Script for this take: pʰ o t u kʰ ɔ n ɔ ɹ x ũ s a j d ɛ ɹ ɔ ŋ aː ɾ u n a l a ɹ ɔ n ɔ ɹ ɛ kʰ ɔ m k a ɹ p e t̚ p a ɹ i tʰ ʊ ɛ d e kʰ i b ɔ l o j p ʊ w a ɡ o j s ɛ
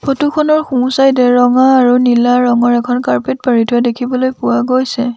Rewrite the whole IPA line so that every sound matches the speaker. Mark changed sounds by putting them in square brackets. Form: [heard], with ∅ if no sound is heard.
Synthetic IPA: pʰ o t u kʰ ɔ n ɔ ɹ x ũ s a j d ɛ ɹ ɔ ŋ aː [ɹ] u n [i] l a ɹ ɔ [ŋ] ɔ ɹ ɛ kʰ ɔ [n] k a ɹ p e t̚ p a ɹ i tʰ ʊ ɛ d e kʰ i b ɔ l o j p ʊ w a ɡ o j s ɛ